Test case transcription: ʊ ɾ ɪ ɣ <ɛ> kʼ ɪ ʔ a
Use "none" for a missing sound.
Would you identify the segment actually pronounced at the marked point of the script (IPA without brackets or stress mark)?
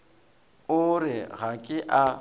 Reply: a